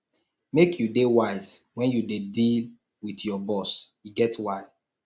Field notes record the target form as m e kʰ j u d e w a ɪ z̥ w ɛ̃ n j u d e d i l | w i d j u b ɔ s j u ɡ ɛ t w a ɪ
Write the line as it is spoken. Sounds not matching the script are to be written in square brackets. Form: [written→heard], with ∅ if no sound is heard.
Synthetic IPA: m e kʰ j u d e w a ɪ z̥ w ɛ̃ n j u d e d i l | w i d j [u→ɔ] b ɔ s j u ɡ ɛ t w a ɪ